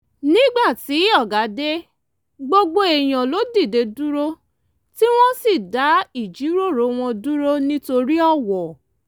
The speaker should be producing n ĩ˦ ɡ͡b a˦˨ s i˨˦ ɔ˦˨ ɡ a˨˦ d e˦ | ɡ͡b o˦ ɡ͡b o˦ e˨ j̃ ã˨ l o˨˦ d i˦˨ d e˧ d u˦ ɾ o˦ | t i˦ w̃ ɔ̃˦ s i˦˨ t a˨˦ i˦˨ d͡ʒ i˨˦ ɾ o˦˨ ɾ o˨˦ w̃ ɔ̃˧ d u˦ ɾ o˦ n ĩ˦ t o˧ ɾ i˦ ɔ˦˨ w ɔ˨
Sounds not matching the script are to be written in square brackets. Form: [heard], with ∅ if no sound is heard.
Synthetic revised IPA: n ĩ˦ ɡ͡b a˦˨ [t] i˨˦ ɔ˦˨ ɡ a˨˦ d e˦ | ɡ͡b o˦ ɡ͡b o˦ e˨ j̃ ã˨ l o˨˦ d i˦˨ d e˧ d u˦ ɾ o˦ | t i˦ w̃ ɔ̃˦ s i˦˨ [d] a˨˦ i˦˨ d͡ʒ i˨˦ ɾ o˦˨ ɾ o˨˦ w̃ ɔ̃˧ d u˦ ɾ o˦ n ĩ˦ t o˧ ɾ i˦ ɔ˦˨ w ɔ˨

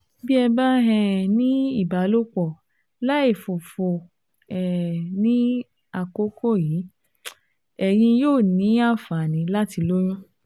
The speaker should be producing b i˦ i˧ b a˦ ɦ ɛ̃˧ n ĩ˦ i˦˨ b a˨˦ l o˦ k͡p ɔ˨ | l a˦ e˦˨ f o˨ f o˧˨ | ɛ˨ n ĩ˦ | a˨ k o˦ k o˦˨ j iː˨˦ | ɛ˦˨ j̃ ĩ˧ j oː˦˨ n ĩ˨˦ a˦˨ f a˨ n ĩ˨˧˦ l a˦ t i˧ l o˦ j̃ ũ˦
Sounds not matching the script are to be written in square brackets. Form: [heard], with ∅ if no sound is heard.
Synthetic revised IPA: b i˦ [ɛ˧] b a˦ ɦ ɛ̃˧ n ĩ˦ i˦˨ b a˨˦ l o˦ k͡p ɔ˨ | l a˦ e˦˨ f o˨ f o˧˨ | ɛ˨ n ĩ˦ | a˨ k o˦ k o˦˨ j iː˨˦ | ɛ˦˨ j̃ ĩ˧ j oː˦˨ n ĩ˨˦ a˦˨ f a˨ n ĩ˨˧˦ l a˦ t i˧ l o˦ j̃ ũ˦

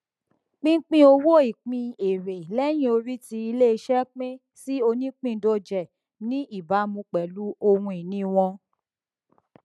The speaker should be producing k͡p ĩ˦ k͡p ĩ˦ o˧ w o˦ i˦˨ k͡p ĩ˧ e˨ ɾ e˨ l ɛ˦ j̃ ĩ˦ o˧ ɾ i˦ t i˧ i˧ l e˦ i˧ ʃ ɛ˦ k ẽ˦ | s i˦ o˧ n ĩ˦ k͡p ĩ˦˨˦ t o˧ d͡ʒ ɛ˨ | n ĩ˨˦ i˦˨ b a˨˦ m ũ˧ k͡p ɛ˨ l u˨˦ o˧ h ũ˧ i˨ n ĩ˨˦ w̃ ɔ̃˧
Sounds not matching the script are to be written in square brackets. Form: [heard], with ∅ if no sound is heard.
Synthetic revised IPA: k͡p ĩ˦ k͡p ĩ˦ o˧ w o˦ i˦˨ k͡p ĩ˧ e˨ ɾ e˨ l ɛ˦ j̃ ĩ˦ o˧ ɾ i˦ t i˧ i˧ l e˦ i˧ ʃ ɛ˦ [k͡p] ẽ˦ | s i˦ o˧ n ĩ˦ k͡p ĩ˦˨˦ [d] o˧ d͡ʒ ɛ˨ | n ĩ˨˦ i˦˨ b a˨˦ m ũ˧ k͡p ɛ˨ l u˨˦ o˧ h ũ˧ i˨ n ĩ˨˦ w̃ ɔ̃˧

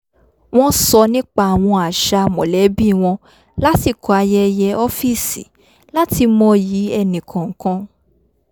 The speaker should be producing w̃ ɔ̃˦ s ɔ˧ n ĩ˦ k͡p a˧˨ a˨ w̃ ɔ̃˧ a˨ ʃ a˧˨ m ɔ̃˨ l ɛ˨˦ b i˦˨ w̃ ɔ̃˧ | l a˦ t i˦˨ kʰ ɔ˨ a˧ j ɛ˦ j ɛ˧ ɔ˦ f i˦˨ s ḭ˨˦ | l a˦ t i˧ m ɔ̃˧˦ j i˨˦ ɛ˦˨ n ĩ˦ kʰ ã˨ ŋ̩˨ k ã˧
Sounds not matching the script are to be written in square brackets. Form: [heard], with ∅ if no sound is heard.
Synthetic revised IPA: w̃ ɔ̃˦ s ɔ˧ n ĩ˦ k͡p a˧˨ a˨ w̃ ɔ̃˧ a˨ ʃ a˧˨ m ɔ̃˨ l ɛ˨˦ b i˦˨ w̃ ɔ̃˧ | l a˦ t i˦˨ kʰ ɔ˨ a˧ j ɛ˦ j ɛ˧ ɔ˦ f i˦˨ s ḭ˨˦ | l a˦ t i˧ m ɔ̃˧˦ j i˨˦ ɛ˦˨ n [ĩ˨] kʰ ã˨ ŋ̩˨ k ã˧

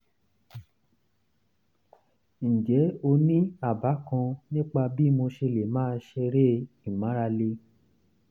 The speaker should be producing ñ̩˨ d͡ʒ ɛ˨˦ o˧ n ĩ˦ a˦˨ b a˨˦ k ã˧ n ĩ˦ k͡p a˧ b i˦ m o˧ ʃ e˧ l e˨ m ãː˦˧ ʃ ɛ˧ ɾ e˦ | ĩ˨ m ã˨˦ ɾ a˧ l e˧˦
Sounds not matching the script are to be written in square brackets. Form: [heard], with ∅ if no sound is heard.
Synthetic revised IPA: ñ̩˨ d͡ʒ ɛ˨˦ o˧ n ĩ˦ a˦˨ b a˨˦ k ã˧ n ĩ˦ k͡p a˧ b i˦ m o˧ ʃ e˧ l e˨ m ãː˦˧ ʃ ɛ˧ ɾ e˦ | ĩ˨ m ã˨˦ ɾ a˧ l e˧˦

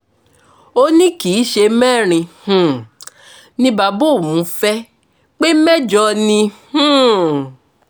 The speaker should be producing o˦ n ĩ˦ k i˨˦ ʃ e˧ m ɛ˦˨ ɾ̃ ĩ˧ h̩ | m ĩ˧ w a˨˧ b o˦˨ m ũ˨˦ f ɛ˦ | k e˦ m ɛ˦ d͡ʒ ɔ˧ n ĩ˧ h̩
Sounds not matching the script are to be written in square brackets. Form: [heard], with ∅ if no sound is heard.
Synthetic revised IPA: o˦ n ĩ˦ k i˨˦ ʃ e˧ m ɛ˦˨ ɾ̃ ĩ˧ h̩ | [n] ĩ˧ [b] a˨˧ b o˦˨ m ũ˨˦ f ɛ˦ | [k͡p] e˦ m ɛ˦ d͡ʒ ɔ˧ n ĩ˧ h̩

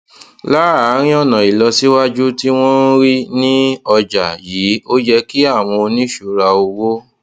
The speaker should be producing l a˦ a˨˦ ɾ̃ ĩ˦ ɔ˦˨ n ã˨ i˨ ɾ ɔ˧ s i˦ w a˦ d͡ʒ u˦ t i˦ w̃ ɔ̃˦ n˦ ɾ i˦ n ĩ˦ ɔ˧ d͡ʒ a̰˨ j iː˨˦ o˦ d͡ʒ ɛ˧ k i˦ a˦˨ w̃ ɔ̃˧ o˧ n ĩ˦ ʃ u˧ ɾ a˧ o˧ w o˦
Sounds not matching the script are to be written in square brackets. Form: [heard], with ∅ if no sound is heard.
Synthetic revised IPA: l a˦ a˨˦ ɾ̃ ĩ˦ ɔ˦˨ n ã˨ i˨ [l] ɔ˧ s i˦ w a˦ d͡ʒ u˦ t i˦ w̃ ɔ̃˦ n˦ ɾ i˦ n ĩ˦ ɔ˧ d͡ʒ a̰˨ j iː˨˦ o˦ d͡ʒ ɛ˧ k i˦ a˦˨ w̃ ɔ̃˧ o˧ n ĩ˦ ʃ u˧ ɾ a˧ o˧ w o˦

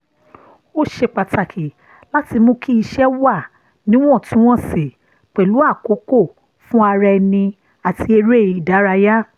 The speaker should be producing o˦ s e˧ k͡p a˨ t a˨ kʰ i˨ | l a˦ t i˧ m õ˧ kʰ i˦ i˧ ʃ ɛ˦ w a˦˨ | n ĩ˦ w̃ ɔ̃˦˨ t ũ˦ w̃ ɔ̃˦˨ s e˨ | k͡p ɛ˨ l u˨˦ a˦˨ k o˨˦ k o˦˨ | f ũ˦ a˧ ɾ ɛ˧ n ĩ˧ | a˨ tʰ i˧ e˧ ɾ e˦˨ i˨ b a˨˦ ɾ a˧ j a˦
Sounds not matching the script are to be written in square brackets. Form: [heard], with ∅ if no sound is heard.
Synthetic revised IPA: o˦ [ʃ] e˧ k͡p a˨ t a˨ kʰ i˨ | l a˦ t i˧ m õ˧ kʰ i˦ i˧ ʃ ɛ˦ w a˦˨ | n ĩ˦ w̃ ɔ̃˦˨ t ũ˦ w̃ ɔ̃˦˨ s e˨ | k͡p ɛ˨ l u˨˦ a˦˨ k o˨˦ k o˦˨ | f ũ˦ a˧ ɾ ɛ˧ n ĩ˧ | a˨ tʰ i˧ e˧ ɾ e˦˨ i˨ [d] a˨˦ ɾ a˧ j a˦

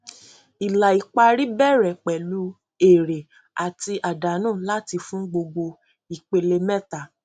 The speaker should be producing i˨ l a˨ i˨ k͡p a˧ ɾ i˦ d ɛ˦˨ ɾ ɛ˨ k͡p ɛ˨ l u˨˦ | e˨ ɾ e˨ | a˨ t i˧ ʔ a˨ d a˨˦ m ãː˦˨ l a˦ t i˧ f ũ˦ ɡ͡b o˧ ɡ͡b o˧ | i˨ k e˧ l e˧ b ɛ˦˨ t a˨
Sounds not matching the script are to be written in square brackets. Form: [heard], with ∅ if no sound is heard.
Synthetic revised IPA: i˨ l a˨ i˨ k͡p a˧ ɾ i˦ [b] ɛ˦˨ ɾ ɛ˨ k͡p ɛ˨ l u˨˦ | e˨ ɾ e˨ | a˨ t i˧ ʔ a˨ d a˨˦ [n] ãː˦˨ l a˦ t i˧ f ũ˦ ɡ͡b o˧ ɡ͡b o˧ | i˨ [k͡p] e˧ l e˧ [m] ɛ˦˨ t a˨

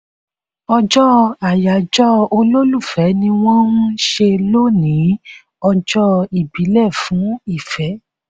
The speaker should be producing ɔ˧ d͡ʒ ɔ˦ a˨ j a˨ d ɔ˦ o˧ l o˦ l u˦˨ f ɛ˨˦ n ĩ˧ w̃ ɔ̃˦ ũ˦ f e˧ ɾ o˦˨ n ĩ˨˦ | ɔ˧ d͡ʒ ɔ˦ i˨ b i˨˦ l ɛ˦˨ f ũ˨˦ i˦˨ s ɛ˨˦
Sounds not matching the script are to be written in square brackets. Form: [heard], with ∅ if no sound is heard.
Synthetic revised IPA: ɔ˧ d͡ʒ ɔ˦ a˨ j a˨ [d͡ʒ] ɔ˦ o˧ l o˦ l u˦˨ f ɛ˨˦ n ĩ˧ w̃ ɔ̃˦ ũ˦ [ʃ] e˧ [l] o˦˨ n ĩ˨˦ | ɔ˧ d͡ʒ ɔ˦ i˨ b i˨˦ l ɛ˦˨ f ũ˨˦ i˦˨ [f] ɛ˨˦

